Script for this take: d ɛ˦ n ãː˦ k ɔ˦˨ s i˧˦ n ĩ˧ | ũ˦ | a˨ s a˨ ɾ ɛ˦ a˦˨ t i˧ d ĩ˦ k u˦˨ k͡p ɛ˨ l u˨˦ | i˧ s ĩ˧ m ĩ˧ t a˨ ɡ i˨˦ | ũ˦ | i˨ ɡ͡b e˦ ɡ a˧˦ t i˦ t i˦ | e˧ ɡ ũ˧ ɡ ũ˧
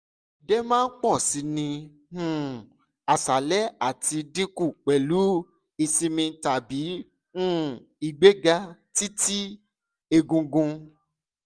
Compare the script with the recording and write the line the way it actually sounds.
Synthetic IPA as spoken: d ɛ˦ m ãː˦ k͡p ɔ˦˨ s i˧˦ n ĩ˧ | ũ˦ | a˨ s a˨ l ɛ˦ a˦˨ t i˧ d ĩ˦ k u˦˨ k͡p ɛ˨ l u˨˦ | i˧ s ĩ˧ m ĩ˧ t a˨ b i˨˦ | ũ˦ | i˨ ɡ͡b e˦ ɡ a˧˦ t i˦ t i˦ | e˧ ɡ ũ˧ ɡ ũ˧